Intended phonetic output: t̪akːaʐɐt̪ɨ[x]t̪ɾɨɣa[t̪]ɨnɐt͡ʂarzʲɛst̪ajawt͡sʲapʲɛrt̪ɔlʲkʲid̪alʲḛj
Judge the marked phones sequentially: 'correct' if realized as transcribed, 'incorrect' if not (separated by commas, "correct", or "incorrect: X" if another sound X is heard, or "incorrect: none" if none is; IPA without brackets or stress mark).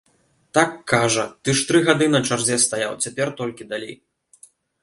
incorrect: ʂ, incorrect: d̪